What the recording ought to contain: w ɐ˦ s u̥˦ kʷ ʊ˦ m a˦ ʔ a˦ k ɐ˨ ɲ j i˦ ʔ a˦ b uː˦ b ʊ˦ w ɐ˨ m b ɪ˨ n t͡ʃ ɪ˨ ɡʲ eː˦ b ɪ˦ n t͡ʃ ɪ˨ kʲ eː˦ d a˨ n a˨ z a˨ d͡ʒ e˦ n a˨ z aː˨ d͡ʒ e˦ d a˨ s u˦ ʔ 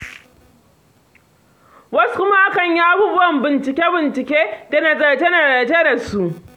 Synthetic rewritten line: w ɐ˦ s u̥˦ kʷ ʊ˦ m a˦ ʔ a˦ k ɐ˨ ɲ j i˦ ʔ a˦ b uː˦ b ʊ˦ w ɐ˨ m b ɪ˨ n t͡ʃ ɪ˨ kʲ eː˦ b ɪ˨ n t͡ʃ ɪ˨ kʲ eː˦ d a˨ n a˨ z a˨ d͡ʒ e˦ n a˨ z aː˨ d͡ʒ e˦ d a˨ s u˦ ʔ

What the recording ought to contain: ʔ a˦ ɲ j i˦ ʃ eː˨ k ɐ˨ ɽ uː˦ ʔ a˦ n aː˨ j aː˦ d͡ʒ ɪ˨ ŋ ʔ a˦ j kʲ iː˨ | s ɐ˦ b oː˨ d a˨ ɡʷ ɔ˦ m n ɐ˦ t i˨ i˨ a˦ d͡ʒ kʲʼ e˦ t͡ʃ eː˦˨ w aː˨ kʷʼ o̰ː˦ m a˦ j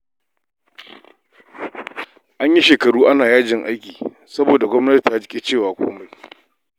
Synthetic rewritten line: ʔ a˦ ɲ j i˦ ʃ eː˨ k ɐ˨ ɽ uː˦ ʔ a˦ n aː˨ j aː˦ d͡ʒ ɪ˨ ŋ ʔ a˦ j kʲ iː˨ | s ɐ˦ b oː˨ d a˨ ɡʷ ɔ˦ m n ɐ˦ t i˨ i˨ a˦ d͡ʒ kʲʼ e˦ t͡ʃ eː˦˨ w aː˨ kʷ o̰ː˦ m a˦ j

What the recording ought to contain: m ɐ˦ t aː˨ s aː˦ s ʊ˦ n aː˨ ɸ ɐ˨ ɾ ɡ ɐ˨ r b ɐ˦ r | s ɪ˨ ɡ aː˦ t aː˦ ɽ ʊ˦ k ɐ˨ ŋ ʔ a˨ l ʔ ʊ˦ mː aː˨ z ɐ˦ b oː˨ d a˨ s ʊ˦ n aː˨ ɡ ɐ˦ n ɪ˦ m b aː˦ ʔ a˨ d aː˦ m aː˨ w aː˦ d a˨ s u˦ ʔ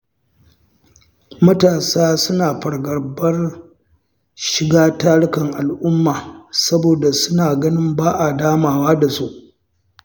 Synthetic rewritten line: m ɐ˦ t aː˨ s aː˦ s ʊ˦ n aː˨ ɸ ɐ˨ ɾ ɡ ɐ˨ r b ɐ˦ r | ʃ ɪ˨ ɡ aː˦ t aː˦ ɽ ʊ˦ k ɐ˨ ŋ ʔ a˨ l ʔ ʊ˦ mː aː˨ s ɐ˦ b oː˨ d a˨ s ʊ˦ n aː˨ ɡ ɐ˦ n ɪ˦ m b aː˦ ʔ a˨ d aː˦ m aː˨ w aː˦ d a˨ s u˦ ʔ

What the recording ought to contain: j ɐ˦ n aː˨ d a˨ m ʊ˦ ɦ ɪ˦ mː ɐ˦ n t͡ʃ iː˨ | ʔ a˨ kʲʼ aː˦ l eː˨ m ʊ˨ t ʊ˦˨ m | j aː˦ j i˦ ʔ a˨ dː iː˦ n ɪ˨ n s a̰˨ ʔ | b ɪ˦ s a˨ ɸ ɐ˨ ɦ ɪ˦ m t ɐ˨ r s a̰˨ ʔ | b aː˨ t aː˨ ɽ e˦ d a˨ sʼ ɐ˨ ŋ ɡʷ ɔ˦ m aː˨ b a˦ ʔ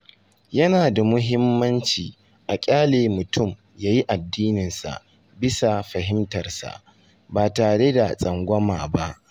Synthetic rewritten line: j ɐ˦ n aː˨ d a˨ m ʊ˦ ɦ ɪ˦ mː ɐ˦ n t͡ʃ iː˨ | ʔ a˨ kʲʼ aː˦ l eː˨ m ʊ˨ t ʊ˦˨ m | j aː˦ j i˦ ʔ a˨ dː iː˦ n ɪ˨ n s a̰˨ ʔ | b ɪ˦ s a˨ ɸ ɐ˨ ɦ ɪ˦ m t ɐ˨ r s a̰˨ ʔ | b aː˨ t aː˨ ɽ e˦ d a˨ sʼ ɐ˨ ŋ ɡʷ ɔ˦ m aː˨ b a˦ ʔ

